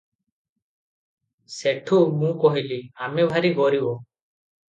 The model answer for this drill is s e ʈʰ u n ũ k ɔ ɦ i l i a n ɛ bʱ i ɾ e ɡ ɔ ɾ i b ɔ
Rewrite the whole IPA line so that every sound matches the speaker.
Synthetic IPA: s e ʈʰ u m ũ k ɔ ɦ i l i a m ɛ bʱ a ɾ i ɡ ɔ ɾ i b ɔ